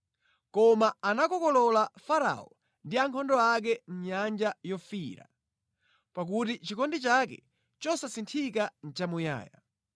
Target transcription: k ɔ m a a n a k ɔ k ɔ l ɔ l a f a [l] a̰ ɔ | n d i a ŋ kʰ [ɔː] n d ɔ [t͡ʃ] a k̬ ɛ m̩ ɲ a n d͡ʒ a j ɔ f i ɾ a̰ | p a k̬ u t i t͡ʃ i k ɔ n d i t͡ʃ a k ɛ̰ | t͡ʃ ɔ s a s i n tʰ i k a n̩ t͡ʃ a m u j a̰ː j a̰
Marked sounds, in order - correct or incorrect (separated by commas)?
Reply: incorrect, incorrect, incorrect